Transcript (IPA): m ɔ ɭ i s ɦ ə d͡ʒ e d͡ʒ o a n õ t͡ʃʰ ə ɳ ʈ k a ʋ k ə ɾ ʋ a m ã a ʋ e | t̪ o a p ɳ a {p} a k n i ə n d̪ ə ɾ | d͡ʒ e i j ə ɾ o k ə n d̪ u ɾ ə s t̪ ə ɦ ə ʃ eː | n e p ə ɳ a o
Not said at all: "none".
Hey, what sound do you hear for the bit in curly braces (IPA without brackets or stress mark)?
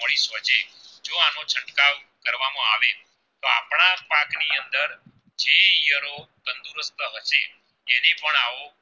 p